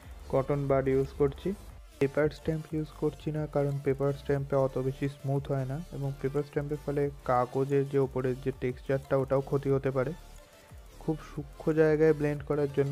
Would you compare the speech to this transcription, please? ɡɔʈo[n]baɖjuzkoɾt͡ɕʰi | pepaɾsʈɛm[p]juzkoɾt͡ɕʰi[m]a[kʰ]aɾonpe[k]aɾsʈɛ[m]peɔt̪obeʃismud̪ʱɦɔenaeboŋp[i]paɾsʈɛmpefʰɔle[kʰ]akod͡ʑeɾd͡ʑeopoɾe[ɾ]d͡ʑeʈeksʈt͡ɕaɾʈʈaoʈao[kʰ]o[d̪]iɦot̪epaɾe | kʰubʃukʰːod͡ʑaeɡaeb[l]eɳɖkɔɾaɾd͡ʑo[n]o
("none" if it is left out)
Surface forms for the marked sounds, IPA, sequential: n, p, n, k, p, m, e, k, ɾ, kʰ, t̪, l, nː

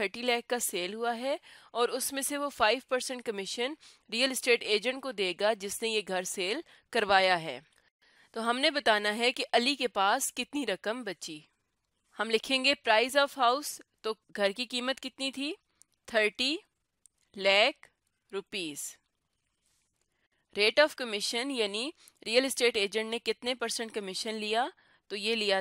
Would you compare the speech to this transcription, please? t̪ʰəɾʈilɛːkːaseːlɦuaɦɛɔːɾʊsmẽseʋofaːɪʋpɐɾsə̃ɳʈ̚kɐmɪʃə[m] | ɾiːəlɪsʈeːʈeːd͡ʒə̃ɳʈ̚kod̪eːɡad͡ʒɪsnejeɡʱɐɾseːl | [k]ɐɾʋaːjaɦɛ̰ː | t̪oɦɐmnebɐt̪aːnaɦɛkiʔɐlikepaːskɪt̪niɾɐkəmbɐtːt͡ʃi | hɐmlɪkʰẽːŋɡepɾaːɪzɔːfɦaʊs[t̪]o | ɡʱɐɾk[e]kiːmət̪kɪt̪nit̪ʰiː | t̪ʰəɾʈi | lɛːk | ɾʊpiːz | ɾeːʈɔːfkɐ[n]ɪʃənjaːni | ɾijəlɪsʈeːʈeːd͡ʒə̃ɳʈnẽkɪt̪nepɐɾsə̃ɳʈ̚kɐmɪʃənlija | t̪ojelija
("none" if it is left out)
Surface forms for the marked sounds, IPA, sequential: n, k, t̪, i, m

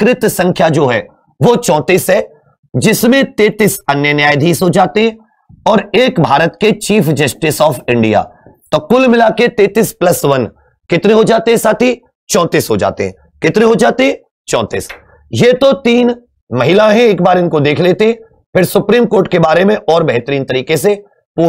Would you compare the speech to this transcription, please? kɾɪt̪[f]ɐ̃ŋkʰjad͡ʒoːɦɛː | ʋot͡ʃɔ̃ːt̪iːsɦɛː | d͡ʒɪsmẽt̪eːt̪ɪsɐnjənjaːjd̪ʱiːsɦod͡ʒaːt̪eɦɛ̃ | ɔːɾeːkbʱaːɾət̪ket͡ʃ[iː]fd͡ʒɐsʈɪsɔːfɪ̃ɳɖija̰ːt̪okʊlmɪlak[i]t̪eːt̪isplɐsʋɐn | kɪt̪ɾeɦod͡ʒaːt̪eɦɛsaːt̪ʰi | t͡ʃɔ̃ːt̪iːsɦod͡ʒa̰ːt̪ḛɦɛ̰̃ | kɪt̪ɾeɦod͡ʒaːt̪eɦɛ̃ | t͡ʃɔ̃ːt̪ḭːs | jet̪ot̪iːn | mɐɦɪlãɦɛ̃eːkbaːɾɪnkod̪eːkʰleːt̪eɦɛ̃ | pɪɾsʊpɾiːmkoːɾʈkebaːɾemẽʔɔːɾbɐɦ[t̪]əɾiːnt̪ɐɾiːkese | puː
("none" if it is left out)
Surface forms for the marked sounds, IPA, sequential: s, iː, e, t̪

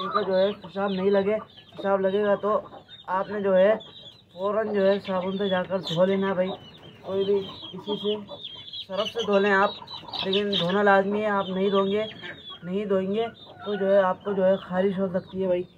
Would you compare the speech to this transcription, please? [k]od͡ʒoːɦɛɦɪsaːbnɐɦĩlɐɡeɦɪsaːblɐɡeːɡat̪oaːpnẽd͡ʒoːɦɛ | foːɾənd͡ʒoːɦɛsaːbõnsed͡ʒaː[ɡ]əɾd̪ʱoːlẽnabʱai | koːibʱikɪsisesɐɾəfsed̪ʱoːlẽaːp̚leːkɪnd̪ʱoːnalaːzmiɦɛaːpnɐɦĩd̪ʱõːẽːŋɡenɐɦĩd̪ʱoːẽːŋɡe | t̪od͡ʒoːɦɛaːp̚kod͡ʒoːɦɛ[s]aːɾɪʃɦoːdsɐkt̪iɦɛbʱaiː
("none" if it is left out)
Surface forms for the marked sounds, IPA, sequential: k, k, x

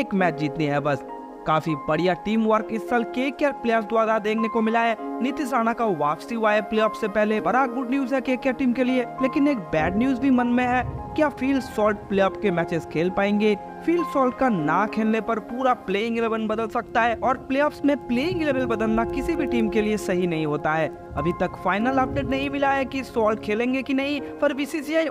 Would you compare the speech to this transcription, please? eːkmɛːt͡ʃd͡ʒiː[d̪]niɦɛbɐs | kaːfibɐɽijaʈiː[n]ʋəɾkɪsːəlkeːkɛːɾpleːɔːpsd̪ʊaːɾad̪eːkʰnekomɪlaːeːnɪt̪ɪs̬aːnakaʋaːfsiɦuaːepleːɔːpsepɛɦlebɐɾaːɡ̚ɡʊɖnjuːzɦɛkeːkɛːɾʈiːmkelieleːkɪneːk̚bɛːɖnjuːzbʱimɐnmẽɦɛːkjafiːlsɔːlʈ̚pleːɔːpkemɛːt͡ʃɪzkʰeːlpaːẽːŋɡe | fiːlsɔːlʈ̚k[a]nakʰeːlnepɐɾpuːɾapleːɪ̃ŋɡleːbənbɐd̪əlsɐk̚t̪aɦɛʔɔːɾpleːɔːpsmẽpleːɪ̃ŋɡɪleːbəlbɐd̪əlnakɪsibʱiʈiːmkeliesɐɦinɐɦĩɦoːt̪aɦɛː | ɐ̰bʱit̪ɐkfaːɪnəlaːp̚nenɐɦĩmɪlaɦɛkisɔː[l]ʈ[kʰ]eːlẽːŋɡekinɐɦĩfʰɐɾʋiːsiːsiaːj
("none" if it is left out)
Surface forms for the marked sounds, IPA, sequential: t̪, m, a, l, kʰ

